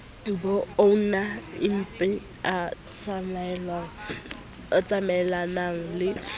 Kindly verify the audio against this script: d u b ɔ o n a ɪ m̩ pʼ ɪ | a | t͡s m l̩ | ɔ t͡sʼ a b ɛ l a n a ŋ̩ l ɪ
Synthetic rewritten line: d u b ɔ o n a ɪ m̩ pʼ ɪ | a | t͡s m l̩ | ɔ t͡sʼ a m ɛ l a n a ŋ̩ l ɪ